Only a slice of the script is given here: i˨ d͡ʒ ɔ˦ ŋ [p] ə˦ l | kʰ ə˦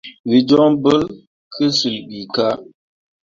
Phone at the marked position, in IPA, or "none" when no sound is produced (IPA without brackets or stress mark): b